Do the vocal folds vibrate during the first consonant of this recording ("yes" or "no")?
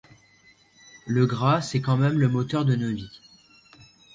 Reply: yes